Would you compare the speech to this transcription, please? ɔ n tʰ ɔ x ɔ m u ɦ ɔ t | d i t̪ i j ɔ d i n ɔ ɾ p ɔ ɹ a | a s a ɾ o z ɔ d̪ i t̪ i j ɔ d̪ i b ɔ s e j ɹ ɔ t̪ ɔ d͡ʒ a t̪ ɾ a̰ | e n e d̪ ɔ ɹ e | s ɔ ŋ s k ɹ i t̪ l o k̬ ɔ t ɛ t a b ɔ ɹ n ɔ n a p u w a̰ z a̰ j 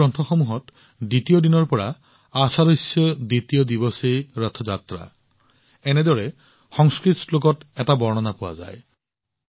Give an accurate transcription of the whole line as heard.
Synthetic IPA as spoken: ɔ n tʰ ɔ x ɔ m u ɦ ɔ t | d i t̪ i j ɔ d i n ɔ ɹ p ɔ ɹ a | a s a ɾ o s ɔ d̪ i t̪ i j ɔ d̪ i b ɔ s e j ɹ ɔ t̪ʰ ɔ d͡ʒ a t̪ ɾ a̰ | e n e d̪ ɔ ɹ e | x ɔ ŋ s k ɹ i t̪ l o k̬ ɔ t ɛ t a b ɔ ɹ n ɔ n a p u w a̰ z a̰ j